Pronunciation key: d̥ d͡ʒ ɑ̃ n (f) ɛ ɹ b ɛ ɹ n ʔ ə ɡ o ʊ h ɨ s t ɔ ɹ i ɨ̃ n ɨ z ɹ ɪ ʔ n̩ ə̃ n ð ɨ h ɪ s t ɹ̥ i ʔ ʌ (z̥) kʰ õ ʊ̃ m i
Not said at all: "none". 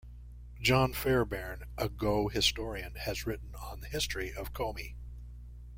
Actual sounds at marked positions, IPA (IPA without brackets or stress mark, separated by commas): f, v̥